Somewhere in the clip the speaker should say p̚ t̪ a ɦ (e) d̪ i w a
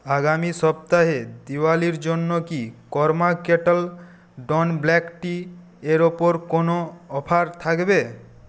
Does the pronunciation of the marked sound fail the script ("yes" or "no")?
no